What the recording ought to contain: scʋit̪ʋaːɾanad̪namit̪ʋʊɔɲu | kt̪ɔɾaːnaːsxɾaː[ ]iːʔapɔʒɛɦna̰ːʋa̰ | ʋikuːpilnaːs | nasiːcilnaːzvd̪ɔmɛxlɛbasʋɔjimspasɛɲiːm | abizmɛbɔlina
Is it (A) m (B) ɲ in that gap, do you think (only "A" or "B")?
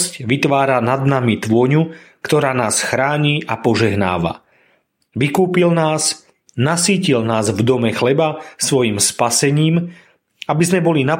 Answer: B